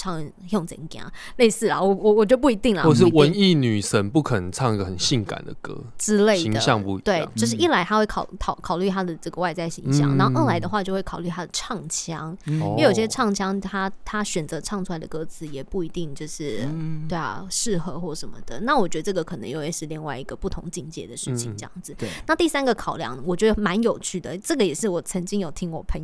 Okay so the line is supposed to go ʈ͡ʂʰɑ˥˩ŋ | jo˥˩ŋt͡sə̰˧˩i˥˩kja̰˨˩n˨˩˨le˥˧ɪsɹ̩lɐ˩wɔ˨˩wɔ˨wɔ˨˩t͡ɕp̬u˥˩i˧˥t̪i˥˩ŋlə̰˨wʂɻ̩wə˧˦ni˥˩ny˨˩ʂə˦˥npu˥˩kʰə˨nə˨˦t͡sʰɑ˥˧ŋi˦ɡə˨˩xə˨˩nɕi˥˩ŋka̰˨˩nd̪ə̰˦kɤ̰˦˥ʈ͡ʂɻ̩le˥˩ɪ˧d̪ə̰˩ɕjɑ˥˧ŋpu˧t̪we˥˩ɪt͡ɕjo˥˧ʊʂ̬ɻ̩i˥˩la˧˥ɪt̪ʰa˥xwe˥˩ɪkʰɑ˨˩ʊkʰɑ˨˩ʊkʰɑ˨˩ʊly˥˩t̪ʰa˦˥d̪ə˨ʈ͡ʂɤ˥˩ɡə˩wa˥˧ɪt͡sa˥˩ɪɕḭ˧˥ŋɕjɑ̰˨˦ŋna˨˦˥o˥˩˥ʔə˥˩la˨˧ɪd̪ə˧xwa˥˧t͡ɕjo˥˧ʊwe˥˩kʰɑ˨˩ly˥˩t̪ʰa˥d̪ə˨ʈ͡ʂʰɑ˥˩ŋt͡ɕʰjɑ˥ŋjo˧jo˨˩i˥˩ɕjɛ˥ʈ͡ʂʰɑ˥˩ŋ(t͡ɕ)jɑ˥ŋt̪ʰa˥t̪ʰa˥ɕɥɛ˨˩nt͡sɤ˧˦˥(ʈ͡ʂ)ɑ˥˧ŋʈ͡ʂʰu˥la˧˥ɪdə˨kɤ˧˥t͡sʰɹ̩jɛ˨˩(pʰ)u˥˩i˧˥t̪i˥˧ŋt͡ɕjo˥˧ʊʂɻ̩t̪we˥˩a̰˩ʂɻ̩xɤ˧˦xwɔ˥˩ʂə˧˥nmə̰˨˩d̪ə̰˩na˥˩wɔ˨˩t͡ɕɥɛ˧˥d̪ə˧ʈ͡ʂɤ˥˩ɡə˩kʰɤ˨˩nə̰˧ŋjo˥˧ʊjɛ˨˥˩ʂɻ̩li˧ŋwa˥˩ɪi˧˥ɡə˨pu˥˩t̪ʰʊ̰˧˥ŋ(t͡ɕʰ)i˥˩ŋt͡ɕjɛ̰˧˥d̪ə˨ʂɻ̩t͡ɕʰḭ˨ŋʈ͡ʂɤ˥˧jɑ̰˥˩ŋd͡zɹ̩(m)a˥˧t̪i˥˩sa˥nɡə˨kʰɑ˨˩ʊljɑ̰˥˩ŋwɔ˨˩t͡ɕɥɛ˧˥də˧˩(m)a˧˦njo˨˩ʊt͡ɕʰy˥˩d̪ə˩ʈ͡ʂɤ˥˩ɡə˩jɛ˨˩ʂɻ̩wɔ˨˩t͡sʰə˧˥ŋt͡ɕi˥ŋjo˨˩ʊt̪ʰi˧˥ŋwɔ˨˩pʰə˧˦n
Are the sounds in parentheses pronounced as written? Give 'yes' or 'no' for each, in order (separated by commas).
no, no, no, no, no, yes